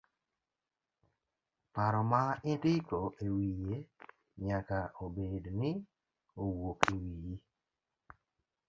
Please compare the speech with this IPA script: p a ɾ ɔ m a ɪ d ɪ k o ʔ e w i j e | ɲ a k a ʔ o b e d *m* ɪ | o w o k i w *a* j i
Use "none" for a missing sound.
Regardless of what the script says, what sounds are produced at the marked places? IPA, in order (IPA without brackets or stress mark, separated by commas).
n, i